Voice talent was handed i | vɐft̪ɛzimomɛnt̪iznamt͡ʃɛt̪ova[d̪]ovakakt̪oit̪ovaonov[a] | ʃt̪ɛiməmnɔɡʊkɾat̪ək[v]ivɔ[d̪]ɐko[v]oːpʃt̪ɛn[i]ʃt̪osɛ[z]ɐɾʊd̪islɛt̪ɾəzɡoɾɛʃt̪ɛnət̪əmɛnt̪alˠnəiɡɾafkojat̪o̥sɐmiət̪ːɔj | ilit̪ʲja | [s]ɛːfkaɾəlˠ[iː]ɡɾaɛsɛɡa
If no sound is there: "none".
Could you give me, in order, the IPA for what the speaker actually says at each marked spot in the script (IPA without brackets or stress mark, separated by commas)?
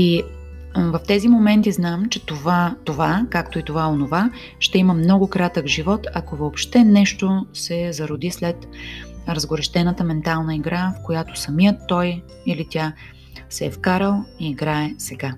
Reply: t̪, a, ʒ, t̪, v, ɛ, z, s, iː